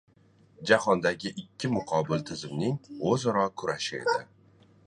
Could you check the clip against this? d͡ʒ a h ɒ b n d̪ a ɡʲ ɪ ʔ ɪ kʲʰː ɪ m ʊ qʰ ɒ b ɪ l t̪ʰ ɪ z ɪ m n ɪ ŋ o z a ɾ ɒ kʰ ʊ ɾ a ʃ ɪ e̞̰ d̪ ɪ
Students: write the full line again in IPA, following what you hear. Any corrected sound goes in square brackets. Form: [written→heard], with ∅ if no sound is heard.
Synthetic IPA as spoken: d͡ʒ a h ɒ [b→∅] n d̪ a ɡʲ ɪ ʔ ɪ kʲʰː ɪ m ʊ qʰ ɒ b ɪ l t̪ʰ ɪ z ɪ m n ɪ ŋ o z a ɾ ɒ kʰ ʊ ɾ a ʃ ɪ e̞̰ d̪ ɪ